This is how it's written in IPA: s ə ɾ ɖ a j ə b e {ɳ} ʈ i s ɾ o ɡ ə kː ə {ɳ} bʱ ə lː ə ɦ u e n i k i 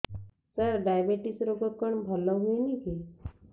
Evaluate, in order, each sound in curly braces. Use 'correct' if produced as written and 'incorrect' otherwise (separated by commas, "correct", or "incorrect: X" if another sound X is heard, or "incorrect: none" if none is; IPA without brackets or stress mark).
incorrect: none, correct